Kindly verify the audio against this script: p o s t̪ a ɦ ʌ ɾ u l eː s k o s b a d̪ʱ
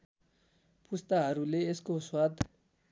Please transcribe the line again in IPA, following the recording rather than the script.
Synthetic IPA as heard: p u s t̪ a ɦ ʌ ɾ u l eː s k o s w a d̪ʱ

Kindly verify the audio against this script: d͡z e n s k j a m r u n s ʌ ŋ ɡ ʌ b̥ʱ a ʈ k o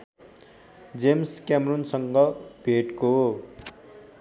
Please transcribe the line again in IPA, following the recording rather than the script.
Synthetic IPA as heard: d͡z e m s k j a m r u n s ʌ ŋ ɡ ʌ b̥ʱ e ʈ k o

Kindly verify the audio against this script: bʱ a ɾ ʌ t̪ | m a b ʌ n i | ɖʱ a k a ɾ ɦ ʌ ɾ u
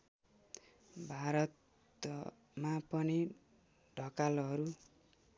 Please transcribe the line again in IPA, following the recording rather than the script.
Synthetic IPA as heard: bʱ a ɾ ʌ t̪ | m a p ʌ n i | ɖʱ ʌ k a l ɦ ʌ ɾ u

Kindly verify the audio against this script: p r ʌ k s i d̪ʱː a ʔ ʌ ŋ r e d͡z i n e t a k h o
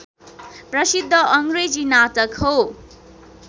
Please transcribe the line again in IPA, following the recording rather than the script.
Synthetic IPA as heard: p r ʌ s i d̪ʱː ʌ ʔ ʌ ŋ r e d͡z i n a t ʌ k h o

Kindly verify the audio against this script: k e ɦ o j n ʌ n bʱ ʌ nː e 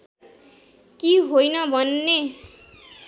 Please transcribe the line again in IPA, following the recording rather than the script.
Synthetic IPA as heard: k i ɦ o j n ʌ bʱ ʌ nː e

